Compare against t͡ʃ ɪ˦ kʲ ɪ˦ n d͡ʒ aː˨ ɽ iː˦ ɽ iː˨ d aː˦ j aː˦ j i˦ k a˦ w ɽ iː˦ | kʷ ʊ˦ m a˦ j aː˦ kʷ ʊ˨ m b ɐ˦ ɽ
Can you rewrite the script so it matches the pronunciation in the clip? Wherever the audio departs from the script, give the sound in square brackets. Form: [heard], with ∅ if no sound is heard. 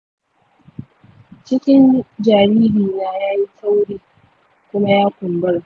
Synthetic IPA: t͡ʃ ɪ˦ kʲ ɪ˦ n d͡ʒ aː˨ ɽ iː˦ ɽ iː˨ [n] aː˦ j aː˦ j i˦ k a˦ w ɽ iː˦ | kʷ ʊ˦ m a˦ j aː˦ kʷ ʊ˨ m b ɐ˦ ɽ